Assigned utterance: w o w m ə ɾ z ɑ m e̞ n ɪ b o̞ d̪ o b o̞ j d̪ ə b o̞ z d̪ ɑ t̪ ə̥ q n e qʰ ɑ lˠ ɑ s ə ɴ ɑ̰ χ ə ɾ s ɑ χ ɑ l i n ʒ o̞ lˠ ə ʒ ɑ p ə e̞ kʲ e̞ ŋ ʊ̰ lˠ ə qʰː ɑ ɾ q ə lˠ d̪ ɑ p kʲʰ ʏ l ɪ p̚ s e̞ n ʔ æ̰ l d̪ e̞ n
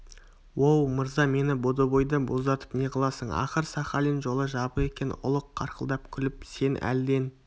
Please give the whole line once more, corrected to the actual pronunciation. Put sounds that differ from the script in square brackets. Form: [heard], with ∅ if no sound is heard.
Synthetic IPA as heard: w o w m ə ɾ z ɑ m e̞ n ɪ b o̞ d̪ o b o̞ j d̪ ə b o̞ z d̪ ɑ t̪ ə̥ [p] n e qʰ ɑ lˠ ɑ s ə ɴ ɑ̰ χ ə ɾ s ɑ χ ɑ l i n ʒ o̞ lˠ ə ʒ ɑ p ə e̞ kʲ e̞ [n] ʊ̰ lˠ ə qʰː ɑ ɾ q ə lˠ d̪ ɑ p kʲʰ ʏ l ɪ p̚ s e̞ n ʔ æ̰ l d̪ e̞ n